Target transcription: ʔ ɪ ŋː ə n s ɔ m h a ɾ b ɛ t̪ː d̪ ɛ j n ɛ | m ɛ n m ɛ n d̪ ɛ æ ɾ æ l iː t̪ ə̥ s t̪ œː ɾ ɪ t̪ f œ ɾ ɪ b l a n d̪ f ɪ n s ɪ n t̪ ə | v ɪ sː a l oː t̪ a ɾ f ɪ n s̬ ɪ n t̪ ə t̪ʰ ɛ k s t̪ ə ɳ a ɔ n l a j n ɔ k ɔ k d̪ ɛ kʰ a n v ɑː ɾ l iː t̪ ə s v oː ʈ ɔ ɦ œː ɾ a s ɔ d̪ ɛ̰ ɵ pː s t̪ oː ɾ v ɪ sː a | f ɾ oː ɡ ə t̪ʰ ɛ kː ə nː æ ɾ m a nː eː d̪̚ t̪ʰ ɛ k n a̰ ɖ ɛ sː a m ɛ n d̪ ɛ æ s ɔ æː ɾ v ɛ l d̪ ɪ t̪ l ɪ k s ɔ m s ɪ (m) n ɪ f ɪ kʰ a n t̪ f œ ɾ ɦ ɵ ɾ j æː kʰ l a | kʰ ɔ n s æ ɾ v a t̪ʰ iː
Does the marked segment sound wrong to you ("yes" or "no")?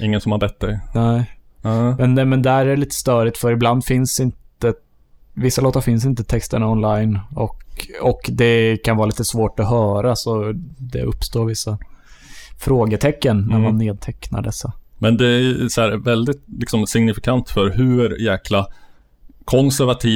yes